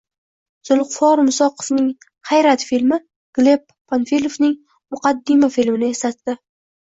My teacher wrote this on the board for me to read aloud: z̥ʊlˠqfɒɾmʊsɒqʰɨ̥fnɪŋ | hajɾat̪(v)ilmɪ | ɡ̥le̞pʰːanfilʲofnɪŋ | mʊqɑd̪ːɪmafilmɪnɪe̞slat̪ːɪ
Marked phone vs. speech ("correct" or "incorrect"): incorrect